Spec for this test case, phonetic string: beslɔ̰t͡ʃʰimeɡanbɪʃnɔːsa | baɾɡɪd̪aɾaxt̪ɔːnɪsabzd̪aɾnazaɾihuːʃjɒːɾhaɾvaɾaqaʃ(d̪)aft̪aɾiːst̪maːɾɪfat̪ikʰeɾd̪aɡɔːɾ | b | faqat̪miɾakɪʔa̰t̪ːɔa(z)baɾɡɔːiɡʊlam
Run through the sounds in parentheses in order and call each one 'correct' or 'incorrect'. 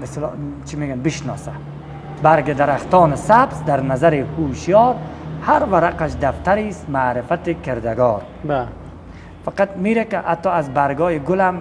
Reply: correct, correct

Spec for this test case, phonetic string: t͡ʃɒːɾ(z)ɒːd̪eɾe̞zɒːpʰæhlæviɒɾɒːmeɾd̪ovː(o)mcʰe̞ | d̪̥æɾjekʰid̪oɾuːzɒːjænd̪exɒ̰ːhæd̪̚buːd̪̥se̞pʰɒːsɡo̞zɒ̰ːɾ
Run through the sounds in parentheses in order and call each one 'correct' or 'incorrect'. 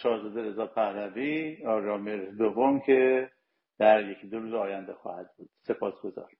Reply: correct, correct

